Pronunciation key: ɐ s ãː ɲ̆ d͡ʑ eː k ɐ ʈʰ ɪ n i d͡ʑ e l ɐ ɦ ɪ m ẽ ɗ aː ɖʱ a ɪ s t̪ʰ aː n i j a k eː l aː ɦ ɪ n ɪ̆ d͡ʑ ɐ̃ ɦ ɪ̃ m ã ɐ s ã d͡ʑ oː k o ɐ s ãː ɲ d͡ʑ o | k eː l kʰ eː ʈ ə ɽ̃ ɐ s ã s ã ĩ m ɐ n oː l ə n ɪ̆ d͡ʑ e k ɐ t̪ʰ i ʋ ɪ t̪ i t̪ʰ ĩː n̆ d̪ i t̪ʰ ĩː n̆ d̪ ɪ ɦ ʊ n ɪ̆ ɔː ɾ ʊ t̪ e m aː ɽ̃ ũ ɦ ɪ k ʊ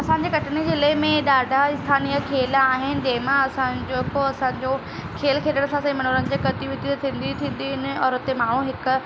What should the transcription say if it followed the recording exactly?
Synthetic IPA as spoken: ɐ s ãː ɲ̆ d͡ʑ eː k ɐ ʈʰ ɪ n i d͡ʑ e l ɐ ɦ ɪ m ẽ ɗ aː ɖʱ a ɪ s t̪ʰ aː n i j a kʰ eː l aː ɦ ɪ n ɪ̆ d͡ʑ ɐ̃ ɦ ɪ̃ m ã ɐ s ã d͡ʑ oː k o ɐ s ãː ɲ d͡ʑ o | kʰ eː l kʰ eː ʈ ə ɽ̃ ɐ s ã s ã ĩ m ɐ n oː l ə n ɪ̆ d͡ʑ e k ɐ t̪ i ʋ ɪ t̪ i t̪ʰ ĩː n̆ d̪ i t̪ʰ ĩː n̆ d̪ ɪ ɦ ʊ n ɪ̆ ɔː ɾ ʊ t̪ e m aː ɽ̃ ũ ɦ ɪ k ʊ